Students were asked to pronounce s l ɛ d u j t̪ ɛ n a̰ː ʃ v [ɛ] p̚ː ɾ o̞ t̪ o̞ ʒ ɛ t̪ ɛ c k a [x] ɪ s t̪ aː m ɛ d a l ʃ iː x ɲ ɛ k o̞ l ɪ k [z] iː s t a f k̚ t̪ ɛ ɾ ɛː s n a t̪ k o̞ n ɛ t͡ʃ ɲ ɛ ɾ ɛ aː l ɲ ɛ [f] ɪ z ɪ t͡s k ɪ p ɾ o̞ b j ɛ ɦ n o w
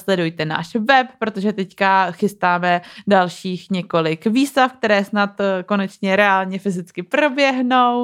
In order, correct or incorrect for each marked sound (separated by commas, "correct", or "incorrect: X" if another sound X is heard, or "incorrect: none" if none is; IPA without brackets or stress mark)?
correct, correct, incorrect: v, correct